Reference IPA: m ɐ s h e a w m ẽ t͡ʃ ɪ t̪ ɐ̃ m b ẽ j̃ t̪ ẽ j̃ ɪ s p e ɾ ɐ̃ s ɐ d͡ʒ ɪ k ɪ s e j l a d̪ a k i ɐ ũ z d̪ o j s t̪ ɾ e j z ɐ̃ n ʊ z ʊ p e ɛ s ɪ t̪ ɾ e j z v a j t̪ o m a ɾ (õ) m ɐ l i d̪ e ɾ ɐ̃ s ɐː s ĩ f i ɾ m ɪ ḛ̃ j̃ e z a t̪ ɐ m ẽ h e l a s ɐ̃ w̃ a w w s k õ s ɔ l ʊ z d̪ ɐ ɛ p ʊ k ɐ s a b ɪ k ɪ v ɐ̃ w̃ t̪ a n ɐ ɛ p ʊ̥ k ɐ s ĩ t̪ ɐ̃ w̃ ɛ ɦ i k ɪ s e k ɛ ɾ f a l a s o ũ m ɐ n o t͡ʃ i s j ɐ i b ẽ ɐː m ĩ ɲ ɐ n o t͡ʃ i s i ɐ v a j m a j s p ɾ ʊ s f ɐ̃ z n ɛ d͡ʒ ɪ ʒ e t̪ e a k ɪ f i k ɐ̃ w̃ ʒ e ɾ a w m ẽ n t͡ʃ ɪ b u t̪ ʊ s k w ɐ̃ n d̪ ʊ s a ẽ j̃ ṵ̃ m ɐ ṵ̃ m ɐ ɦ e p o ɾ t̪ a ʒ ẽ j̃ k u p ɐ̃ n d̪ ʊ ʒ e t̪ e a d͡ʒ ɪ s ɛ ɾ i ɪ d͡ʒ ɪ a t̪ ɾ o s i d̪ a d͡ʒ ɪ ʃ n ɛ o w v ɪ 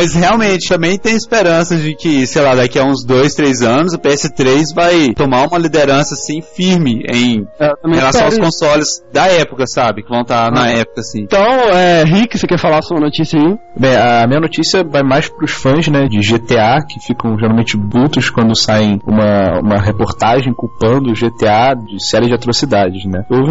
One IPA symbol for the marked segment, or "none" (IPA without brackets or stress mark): ũ